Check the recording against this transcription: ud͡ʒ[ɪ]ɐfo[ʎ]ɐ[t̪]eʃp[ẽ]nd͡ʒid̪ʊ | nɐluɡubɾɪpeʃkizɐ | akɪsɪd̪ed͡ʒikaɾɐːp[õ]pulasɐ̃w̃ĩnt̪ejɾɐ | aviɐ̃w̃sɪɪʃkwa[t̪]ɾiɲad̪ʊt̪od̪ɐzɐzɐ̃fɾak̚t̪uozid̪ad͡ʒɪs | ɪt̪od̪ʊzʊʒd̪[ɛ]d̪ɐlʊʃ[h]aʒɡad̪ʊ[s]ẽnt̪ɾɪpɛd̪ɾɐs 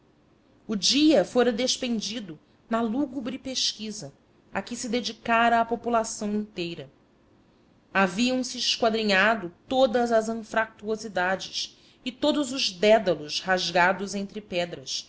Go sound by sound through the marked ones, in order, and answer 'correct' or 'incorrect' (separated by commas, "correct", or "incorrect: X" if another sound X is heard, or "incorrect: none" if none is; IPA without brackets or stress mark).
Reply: incorrect: i, incorrect: ɾ, incorrect: d̪, correct, incorrect: o, incorrect: d̪, correct, correct, incorrect: z